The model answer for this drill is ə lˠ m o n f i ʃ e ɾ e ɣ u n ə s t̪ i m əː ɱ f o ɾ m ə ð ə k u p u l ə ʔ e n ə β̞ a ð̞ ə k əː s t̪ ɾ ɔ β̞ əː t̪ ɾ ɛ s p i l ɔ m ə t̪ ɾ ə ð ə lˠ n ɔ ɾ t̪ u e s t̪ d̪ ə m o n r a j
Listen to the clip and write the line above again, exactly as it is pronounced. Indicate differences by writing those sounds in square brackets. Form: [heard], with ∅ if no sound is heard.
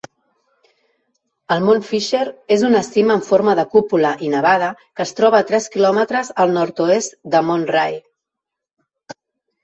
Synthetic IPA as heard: ə lˠ m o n f i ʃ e ɾ e [z] u n ə s t̪ i m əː ɱ f o ɾ m ə ð ə k u p u l ə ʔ [i] n ə β̞ a ð̞ ə k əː s t̪ ɾ ɔ β̞ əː t̪ ɾ ɛ s [k] i l ɔ m ə t̪ ɾ ə [z] ə lˠ n ɔ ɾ t̪ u e s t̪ d̪ ə m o n r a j